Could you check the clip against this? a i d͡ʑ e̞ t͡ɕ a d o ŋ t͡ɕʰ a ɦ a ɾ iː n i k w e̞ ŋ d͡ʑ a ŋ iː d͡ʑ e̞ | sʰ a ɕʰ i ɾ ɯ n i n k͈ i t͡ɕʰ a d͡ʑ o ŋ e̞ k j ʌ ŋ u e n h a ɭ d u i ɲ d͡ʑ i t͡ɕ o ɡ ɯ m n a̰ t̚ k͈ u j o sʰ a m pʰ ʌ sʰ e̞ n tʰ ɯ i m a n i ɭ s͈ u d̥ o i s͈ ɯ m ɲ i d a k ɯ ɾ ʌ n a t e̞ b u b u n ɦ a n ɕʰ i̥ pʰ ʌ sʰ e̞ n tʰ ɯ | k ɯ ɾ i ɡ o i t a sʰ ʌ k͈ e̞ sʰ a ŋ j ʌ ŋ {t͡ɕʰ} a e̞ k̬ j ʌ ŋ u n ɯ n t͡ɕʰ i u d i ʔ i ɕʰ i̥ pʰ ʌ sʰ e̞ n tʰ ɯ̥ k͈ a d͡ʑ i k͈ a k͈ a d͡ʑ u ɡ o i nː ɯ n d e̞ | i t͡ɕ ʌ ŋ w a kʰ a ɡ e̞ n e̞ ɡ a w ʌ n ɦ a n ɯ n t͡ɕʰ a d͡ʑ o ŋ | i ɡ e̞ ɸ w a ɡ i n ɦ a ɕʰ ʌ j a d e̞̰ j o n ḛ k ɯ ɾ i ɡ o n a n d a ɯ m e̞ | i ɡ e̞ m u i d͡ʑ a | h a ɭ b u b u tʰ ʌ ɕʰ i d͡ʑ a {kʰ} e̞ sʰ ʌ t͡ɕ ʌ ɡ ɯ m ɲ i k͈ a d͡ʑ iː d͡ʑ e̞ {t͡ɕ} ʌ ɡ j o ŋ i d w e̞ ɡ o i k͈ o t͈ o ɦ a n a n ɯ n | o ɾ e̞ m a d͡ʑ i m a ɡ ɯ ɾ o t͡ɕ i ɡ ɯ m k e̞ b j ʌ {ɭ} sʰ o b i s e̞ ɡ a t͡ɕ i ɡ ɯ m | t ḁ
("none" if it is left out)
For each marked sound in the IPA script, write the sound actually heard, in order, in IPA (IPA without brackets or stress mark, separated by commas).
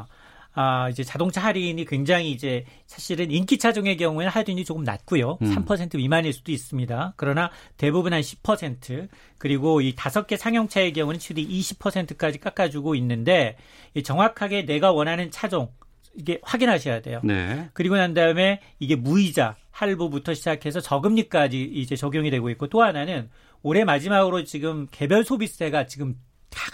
t͡ɕʰ, kʰ, t͡ɕ, ɭ